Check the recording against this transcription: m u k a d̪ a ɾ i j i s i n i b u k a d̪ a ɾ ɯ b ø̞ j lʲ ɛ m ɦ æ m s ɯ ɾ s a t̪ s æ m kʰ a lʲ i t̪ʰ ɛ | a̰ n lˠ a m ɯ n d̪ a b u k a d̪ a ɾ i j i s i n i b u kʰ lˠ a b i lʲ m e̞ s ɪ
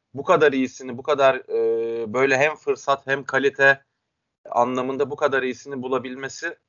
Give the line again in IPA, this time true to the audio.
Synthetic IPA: b u k a d̪ a ɾ i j i s i n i b u k a d̪ a ɾ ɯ b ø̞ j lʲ ɛ ɦ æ m f ɯ ɾ s a t̪ h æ m kʰ a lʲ i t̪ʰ ɛ | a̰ n lˠ a m ɯ n d̪ a b u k a d̪ a ɾ i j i s i n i b u lˠ a b i lʲ m e̞ s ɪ